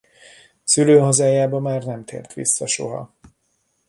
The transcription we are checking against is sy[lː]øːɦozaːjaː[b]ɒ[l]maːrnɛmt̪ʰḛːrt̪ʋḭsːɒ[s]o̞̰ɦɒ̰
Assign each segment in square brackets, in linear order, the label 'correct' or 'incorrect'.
incorrect, correct, incorrect, incorrect

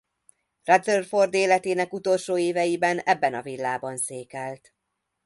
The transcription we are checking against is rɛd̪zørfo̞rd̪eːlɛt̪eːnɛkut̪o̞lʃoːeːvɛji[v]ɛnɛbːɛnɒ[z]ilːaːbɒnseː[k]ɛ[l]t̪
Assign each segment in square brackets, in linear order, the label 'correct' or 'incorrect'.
incorrect, incorrect, correct, correct

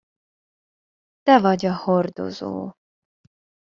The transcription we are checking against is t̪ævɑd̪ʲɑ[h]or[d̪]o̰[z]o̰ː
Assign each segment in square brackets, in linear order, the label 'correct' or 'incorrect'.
correct, correct, correct

